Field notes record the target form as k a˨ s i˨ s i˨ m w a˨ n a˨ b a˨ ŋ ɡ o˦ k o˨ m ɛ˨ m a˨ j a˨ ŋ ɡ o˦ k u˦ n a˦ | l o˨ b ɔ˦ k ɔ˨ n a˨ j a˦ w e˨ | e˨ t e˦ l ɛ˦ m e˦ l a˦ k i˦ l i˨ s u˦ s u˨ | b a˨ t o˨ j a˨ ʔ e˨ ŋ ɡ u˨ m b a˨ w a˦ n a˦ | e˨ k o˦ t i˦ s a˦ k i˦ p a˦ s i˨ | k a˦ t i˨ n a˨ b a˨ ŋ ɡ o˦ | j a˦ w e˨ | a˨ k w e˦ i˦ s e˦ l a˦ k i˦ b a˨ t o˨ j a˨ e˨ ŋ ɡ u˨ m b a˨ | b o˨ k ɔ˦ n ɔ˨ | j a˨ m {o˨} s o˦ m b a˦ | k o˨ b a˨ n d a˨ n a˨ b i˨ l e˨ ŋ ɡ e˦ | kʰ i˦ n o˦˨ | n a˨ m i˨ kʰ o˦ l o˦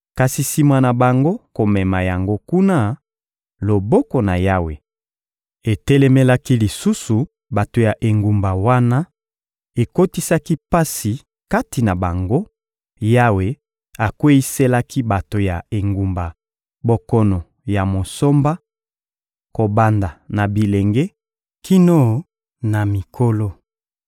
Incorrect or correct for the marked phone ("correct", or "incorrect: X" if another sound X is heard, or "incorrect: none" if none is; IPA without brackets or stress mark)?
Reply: correct